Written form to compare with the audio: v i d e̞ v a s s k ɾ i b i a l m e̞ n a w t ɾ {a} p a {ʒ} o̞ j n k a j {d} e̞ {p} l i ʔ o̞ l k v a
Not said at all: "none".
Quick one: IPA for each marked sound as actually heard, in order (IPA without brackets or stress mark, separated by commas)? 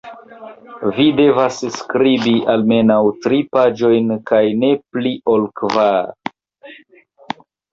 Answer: i, d͡ʒ, n, p